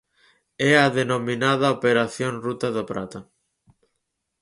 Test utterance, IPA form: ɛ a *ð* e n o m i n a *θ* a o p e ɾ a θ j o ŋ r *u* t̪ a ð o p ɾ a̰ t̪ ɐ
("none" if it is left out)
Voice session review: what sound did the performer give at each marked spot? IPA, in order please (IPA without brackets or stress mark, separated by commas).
ð, ð, u